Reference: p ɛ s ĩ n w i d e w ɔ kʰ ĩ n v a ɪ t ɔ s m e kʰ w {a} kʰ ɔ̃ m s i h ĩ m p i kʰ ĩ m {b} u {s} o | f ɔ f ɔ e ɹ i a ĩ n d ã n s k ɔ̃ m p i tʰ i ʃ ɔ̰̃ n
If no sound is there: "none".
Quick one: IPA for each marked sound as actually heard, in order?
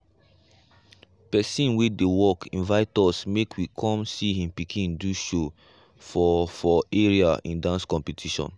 i, d, ʃ

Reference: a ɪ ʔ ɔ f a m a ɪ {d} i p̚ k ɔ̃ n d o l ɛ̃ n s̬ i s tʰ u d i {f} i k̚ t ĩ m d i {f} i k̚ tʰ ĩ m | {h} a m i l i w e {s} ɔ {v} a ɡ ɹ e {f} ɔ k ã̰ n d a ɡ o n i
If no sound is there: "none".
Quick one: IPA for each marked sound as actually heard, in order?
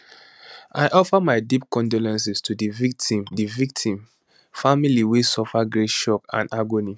d, v, v, f, s, f, ʃ

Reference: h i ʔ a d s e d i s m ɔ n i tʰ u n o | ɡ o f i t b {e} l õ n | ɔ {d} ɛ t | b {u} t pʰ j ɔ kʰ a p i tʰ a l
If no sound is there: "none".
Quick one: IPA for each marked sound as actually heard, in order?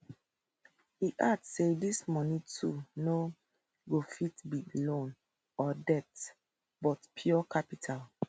i, d, ɔ

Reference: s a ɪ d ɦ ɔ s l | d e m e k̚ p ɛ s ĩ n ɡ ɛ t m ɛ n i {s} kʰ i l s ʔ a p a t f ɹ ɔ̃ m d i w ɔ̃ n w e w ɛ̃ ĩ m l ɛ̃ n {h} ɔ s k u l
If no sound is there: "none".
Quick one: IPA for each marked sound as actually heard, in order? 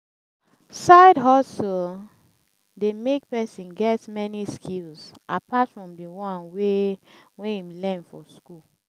s, f

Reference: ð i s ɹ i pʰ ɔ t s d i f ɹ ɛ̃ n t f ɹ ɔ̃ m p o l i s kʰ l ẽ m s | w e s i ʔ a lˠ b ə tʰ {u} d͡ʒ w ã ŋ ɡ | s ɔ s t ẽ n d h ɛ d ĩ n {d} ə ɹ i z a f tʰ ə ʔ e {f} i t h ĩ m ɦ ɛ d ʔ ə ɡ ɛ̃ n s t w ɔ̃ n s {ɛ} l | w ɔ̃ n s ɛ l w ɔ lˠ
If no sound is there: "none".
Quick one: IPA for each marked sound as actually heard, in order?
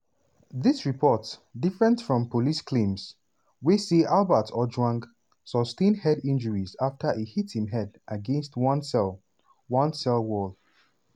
ɔ, d͡ʒ, h, ɛ

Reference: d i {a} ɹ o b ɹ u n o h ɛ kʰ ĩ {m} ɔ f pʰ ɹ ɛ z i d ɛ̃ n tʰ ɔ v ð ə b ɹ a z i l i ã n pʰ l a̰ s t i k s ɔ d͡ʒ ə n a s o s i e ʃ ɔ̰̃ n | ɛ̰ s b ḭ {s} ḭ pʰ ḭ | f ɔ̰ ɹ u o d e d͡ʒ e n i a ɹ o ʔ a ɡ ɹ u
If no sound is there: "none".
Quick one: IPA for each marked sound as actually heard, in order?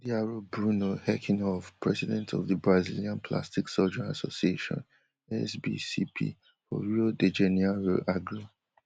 a, n, s

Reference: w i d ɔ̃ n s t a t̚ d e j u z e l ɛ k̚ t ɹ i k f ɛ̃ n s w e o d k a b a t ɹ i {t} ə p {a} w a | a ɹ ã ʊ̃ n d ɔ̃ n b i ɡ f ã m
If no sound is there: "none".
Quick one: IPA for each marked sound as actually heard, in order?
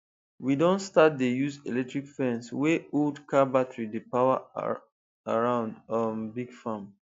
d, a

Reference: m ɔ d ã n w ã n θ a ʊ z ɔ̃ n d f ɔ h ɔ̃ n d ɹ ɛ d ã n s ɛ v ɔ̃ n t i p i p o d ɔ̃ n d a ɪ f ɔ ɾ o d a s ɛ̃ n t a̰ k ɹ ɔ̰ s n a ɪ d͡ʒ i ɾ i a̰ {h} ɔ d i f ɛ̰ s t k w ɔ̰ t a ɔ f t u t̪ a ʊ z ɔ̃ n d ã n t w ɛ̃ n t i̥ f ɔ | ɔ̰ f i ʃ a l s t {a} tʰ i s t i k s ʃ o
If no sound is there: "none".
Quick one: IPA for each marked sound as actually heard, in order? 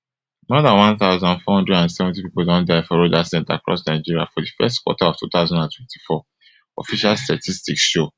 f, a

